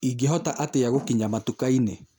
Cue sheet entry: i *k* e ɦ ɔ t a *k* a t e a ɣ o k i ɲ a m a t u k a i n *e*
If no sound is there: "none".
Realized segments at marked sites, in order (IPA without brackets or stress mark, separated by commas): ɡ, ʔ, e